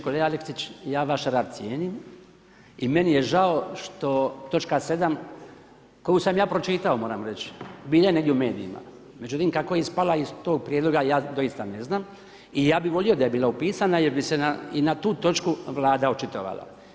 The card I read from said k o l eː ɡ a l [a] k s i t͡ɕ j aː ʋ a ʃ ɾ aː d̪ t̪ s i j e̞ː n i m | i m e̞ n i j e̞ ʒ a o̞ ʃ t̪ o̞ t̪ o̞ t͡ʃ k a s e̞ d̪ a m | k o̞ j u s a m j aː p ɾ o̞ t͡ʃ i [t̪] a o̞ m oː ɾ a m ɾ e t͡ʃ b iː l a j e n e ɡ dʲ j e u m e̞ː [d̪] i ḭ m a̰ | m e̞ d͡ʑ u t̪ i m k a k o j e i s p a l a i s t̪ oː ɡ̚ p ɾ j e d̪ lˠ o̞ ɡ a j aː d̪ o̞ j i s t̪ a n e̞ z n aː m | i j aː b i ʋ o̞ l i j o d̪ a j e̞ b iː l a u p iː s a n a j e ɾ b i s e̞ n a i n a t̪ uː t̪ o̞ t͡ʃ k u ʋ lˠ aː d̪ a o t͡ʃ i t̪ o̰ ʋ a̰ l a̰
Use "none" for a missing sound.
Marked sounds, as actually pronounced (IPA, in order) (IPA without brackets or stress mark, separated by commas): e, t̪, d̪